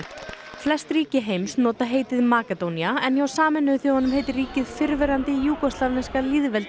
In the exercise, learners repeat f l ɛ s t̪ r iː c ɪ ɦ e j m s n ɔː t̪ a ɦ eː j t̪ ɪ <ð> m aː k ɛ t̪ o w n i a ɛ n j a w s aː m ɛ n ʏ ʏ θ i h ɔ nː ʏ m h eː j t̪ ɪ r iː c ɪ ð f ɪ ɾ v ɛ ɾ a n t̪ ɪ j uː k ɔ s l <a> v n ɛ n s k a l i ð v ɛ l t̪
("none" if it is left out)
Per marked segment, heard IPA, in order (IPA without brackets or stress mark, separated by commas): ð, a